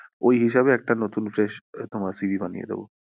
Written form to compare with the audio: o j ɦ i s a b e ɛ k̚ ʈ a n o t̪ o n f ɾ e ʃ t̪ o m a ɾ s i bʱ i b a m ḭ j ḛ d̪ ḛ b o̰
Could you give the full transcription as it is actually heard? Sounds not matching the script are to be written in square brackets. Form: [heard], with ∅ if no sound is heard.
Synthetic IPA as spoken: o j ɦ i [ʃ] a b e ɛ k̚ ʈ a n o t̪ [u] n f ɾ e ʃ t̪ o m a ɾ s i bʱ i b a [n] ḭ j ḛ d̪ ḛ b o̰